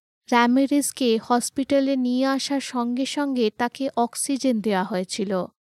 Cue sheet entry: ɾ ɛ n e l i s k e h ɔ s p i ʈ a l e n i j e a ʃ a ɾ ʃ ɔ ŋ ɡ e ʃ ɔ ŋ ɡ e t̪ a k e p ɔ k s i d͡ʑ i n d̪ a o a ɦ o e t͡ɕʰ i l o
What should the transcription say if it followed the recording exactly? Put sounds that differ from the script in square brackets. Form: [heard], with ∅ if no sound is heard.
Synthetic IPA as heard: ɾ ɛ [m] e [ɾ] i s k e h ɔ s p i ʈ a l e n i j e a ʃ a ɾ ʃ ɔ ŋ ɡ e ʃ ɔ ŋ ɡ e t̪ a k e [ʔ] ɔ k s i d͡ʑ [e] n d̪ [e] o a ɦ o e t͡ɕʰ i l o